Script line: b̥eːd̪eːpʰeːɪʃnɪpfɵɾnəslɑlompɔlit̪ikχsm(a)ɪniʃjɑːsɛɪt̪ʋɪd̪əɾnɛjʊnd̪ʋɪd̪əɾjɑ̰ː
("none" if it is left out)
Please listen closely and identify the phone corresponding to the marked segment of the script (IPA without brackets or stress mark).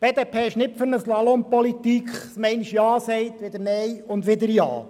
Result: ɛ